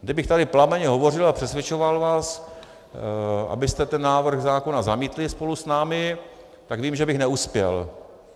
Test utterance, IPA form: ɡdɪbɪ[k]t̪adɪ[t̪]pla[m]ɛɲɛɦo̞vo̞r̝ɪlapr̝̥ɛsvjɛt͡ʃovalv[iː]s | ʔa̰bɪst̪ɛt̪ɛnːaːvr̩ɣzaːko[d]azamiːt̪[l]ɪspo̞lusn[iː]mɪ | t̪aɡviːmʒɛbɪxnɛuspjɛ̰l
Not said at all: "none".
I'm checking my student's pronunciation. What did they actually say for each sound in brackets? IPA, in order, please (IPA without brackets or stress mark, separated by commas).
x, none, m, aː, n, l, aː